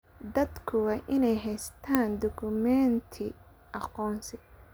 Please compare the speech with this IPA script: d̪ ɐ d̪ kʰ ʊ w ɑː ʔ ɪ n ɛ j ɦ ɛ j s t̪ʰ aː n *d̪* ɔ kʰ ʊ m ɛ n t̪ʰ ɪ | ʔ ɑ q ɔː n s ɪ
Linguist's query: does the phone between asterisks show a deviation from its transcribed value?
no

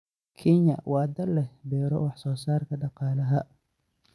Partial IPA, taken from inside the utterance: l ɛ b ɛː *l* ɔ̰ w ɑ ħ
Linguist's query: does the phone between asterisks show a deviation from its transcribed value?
yes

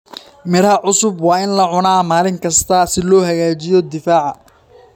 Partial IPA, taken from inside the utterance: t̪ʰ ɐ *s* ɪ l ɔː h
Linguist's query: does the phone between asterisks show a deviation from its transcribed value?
no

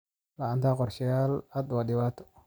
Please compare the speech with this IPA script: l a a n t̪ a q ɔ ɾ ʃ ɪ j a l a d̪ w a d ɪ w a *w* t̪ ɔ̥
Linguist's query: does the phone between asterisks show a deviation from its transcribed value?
yes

